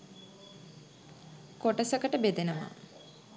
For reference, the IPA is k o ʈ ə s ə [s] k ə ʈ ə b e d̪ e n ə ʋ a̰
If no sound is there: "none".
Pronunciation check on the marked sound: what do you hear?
none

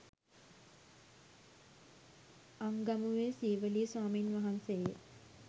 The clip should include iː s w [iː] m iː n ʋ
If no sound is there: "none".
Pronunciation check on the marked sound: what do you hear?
aː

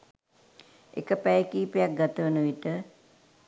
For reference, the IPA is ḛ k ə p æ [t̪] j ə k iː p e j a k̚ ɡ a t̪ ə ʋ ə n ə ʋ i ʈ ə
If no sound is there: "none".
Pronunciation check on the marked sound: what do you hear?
none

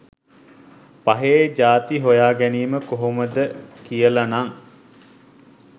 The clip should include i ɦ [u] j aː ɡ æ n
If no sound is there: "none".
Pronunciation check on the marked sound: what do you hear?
o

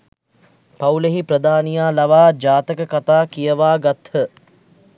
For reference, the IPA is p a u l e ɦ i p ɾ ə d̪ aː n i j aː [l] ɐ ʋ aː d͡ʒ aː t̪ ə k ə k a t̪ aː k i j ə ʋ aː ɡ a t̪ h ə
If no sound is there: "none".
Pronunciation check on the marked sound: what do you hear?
l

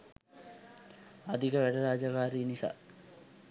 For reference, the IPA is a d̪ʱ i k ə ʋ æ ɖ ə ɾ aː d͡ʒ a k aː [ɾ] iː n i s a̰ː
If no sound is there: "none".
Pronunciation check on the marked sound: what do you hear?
ɾ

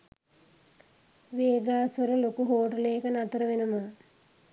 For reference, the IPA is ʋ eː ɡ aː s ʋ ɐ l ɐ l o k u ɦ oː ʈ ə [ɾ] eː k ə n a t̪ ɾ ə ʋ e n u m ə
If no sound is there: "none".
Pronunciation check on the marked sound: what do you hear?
l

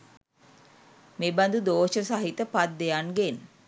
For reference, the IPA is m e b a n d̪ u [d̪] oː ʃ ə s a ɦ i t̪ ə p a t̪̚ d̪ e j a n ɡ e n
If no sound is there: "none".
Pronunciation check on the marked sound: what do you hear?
d̪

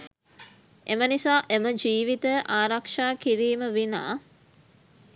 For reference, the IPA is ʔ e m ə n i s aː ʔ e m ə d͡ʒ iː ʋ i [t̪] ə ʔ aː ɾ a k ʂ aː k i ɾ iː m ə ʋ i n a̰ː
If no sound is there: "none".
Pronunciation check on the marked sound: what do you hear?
t̪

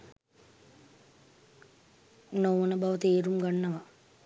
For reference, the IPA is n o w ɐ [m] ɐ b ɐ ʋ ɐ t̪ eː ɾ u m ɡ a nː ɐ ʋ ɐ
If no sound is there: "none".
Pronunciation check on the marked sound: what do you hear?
n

